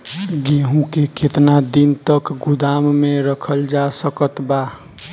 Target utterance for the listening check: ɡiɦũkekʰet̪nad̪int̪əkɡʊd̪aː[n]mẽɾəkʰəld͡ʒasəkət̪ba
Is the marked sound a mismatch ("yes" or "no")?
yes